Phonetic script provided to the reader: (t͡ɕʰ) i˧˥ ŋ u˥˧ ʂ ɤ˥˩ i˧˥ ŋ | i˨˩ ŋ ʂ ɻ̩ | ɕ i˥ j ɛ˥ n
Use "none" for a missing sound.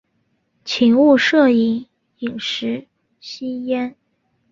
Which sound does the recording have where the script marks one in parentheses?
t͡ɕʰ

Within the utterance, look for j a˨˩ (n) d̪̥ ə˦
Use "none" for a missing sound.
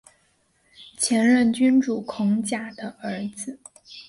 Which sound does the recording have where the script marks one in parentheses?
none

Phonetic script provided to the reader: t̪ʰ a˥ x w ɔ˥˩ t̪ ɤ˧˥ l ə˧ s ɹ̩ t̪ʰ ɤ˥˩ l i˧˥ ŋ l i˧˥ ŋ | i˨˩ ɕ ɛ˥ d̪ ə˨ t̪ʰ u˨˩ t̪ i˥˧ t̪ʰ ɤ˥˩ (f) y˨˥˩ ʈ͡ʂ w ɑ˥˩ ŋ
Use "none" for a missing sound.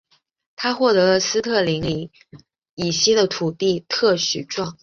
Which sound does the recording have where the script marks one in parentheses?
ɕ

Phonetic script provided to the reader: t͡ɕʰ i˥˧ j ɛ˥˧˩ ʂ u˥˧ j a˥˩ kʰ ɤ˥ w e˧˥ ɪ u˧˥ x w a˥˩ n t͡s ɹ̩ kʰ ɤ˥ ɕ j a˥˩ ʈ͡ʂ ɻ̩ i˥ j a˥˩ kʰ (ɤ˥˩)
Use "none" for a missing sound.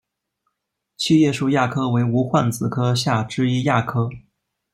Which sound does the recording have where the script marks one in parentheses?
ɤ˥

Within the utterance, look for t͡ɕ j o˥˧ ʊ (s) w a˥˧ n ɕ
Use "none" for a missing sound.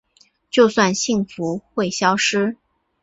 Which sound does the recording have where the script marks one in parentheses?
s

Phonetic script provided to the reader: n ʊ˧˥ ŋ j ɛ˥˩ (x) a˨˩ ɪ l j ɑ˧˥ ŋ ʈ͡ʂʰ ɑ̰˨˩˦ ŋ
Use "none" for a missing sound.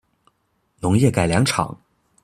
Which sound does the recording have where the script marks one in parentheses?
k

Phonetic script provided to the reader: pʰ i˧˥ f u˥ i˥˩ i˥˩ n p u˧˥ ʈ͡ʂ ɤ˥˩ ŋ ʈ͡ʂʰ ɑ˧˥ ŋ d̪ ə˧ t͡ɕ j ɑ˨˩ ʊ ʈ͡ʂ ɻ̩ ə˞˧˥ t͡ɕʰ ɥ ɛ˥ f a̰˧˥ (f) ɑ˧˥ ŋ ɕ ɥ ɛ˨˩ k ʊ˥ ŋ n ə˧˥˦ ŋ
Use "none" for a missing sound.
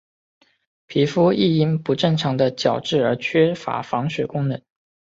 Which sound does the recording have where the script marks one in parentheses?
f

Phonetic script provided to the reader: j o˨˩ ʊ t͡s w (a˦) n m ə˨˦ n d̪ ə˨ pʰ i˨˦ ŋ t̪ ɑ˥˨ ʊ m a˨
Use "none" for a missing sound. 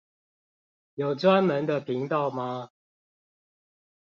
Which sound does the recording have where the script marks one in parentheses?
a˦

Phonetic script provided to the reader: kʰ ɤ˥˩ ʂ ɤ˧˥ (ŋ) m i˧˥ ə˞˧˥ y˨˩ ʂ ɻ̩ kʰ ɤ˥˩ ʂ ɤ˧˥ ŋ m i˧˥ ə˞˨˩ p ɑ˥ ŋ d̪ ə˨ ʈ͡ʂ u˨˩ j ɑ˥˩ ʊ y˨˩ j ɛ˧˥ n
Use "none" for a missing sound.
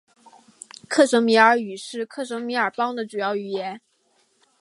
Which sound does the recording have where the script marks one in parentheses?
ŋ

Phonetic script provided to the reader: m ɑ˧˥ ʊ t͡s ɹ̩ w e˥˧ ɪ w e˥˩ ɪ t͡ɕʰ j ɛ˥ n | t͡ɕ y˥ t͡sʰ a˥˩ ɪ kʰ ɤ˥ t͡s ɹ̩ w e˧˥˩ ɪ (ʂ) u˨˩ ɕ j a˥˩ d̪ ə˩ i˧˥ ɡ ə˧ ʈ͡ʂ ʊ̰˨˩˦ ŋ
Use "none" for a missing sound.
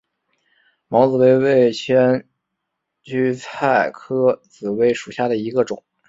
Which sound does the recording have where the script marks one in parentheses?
ʂ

